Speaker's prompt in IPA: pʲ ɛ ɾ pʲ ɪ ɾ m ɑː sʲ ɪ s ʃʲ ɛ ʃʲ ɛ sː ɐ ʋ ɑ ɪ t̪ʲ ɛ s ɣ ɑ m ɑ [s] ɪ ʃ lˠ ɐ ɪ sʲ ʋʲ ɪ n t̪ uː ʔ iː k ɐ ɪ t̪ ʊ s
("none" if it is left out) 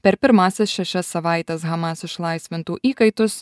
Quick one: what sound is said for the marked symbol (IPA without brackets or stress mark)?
s